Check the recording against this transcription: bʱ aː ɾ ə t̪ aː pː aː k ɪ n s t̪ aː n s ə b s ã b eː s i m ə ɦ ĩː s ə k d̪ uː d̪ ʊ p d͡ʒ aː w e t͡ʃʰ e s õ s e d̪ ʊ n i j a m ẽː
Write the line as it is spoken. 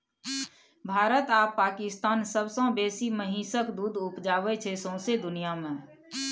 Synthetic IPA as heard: bʱ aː ɾ ə t̪ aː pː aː k ɪ s t̪ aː n s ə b s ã b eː s i m ə ɦ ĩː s ə k d̪ uː d̪ ʊ p d͡ʒ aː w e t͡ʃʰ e s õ s e d̪ ʊ n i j a m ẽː